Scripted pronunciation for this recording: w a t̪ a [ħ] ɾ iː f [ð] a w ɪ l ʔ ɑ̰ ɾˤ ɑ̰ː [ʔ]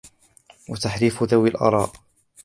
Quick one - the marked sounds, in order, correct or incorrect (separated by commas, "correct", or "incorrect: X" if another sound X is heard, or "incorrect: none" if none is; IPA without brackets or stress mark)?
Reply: correct, correct, correct